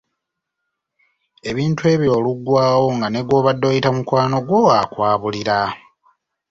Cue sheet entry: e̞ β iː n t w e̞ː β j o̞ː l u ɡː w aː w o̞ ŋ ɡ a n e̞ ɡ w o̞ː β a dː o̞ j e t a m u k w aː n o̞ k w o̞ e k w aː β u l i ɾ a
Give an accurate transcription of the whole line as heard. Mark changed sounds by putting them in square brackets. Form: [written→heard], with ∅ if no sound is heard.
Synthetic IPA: e̞ β iː n t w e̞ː β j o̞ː l u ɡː w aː w o̞ ŋ ɡ a n e̞ ɡ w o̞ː β a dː o̞ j [e→i] t a m u k w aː n o̞ [k→ɡ] w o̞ [e→a] k w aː β u l i ɾ a